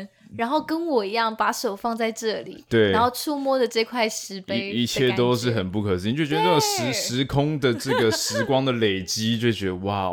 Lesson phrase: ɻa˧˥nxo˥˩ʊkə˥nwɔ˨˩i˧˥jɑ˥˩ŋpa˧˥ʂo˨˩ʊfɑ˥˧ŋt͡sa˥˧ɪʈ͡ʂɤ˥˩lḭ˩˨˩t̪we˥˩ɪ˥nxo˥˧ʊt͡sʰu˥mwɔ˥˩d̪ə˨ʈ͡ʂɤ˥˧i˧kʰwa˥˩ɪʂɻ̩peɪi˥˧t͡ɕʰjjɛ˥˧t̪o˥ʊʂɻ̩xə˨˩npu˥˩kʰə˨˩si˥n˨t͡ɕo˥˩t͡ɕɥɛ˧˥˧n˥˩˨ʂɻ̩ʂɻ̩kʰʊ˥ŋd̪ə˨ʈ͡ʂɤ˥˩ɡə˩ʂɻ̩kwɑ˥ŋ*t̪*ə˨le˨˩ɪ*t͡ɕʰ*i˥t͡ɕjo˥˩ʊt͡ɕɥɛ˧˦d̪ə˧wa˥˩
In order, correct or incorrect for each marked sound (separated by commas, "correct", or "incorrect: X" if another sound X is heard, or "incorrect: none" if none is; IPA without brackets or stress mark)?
incorrect: d̪, incorrect: t͡ɕ